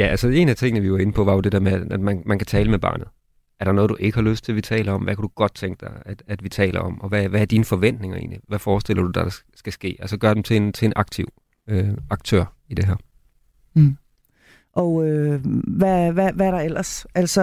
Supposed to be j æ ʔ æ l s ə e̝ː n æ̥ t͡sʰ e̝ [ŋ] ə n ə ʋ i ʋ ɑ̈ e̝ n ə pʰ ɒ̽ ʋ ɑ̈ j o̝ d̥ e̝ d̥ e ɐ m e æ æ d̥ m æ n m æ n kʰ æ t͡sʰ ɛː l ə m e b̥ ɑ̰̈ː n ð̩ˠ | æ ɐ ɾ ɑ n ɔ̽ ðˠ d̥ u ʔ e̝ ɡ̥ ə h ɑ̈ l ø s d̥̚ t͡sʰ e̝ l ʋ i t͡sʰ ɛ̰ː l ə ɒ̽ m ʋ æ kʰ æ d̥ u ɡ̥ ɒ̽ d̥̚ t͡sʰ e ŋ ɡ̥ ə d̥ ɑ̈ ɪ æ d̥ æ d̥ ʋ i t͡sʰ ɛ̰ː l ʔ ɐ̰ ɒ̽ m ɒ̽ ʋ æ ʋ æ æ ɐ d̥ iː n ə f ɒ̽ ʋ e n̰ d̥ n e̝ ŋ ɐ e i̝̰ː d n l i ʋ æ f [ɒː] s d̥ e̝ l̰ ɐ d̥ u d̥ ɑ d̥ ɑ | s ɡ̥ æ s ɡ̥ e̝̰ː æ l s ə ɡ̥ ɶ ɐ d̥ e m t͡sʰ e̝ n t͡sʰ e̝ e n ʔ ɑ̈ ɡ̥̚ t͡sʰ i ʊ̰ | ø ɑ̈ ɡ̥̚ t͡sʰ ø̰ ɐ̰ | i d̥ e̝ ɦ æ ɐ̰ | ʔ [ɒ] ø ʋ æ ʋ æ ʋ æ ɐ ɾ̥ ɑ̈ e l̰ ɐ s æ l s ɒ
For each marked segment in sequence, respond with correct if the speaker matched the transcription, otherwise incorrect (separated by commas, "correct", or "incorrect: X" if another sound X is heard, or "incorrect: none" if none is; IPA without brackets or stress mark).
correct, correct, correct